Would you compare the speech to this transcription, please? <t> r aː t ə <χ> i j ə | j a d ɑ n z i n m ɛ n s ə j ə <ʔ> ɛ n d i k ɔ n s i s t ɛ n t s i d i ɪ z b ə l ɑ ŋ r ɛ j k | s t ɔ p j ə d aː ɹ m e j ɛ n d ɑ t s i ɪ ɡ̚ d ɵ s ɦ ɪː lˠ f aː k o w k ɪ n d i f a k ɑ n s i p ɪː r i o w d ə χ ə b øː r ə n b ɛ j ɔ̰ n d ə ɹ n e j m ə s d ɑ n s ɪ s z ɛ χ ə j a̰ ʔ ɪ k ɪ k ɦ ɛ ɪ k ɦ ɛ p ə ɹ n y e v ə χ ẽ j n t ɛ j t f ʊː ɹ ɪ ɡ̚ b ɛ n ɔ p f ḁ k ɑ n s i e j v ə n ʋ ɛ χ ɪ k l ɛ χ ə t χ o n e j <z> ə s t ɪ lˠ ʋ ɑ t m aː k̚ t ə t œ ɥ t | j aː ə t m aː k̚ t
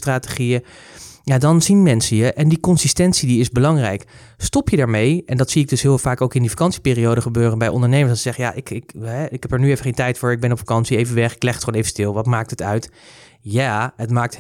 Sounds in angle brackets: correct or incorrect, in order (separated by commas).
correct, correct, correct, incorrect